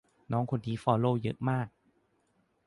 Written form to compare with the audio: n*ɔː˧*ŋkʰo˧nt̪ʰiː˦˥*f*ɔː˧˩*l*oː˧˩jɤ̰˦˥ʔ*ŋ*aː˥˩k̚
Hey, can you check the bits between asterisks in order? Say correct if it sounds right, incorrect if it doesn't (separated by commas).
incorrect, correct, correct, incorrect